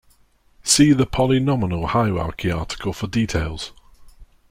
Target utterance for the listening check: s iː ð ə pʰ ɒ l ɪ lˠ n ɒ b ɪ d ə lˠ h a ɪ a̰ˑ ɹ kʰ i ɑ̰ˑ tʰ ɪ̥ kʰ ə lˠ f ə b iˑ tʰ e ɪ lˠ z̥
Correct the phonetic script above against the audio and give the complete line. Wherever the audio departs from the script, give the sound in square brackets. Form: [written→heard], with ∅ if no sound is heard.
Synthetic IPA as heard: s iː ð ə pʰ ɒ l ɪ [lˠ→∅] n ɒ [b→m] ɪ [d→n] ə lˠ h a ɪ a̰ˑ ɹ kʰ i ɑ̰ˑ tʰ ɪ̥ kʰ ə lˠ f ə [b→d] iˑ tʰ e ɪ lˠ z̥